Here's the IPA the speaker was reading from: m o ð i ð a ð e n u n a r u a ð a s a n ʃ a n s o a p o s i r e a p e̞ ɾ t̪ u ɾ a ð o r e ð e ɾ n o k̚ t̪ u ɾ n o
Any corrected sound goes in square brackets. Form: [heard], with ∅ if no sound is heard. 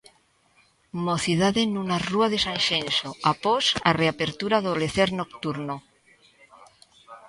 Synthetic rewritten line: m o [θ] i ð a ð e n u n a r u a ð [e] s a n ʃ [e] n s o a p o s [a] r e a p e̞ ɾ t̪ u ɾ a ð o [l] e [θ] e ɾ n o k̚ t̪ u ɾ n o